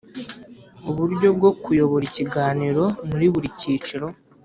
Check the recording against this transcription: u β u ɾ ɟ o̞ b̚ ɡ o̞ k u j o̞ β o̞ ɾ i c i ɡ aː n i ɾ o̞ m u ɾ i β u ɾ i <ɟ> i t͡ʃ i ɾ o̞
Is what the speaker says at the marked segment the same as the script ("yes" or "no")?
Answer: no